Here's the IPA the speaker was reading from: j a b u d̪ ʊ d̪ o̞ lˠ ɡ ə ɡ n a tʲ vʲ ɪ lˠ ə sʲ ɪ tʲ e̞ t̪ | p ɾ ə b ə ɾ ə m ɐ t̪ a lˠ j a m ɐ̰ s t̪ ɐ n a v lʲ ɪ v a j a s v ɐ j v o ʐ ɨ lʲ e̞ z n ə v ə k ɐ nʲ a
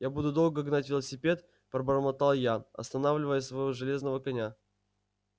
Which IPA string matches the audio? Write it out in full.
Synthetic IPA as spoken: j a b u d̪ ʊ d̪ o̞ lˠ ɡ ə ɡ n a tʲ vʲ ɪ lˠ ə sʲ ɪ pʲ e̞ t̪ | p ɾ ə b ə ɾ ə m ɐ t̪ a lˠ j a n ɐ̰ s t̪ ɐ n a v lʲ ɪ v ə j ə s v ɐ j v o ʐ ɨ lʲ e̞ z n ə v ə k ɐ nʲ a

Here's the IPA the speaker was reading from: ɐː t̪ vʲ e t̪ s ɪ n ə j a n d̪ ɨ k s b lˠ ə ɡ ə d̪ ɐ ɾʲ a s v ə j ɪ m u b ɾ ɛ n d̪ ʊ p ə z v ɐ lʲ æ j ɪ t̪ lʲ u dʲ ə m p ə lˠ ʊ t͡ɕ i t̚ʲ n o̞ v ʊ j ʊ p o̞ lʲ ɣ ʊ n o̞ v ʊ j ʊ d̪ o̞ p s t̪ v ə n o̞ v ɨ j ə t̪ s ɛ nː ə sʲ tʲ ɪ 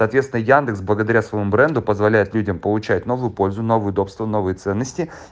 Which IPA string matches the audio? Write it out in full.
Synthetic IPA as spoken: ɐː t̪ vʲ e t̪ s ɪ n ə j a n d̪ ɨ k s b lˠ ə ɡ ə d̪ ɐ ɾʲ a s v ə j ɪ m u b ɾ ɛ n d̪ ʊ p ə z v ɐ lʲ æ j ɪ t̪ lʲ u dʲ ə m p ə lˠ ʊ t͡ɕ æ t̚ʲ n o̞ v ʊ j ʊ p o̞ lʲ z ʊ n o̞ v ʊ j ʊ d̪ o̞ p s t̪ v ə n o̞ v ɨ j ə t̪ s ɛ nː ə sʲ tʲ ɪ

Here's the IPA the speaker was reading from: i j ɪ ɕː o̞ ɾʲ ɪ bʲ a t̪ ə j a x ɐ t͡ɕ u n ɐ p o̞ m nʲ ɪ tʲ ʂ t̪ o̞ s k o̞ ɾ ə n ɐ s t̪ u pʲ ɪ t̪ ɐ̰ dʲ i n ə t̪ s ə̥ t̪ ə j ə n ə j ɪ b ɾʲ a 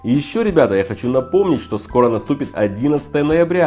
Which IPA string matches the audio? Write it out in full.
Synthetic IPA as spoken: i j ɪ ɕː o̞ ɾʲ ɪ bʲ a t̪ ə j a x ɐ t͡ɕ u n ɐ p o̞ m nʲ ɪ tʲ ʂ t̪ o̞ s k o̞ ɾ ə n ɐ s t̪ u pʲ ɪ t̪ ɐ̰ dʲ i n ə t̪ s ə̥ t̪ ə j ə n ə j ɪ b ɾʲ a

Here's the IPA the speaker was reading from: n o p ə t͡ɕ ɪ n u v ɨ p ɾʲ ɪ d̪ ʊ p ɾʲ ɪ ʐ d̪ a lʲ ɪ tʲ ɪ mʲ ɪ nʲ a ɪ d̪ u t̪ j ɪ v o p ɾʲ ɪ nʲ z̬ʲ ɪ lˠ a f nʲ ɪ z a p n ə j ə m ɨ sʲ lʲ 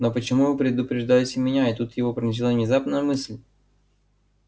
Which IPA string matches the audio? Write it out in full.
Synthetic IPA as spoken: n o p ə t͡ɕ ɪ m u v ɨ p ɾʲ ɪ d̪ ʊ p ɾʲ ɪ ʐ d̪ a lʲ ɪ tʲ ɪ mʲ ɪ nʲ a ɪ t̪ u t̪ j ɪ v o p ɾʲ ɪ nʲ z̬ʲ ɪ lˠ a v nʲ ɪ z a p n ə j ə m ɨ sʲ lʲ

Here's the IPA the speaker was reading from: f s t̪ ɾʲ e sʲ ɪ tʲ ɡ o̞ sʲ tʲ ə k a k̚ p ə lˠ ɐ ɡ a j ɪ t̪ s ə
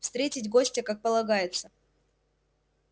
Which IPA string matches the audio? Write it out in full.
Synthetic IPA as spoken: f s t̪ ɾʲ e tʲ ɪ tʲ ɡ o̞ sʲ tʲ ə k a k̚ p ə lˠ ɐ ɡ a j ɪ t̪ s ə

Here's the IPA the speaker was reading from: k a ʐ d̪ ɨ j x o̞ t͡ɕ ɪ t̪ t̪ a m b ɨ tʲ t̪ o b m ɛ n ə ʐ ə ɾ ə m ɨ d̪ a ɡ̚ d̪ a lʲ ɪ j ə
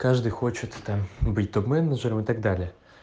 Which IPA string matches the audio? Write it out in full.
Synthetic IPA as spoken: k a ʐ d̪ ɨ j x o̞ t͡ɕ ɪ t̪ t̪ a m b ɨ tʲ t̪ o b m ɛ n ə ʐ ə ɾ ə m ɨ t̪ a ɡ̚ d̪ a lʲ ɪ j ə

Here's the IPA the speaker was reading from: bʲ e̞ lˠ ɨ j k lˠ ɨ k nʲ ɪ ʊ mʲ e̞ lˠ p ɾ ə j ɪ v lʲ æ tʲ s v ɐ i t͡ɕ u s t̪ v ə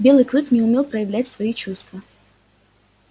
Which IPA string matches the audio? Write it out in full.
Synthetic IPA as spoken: bʲ e̞ lˠ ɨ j k lˠ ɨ k nʲ ɪ ʊ mʲ e̞ lˠ p ɾ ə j ɪ v lʲ æ tʲ s v ɐ i t͡ɕ u s t̪ v ə

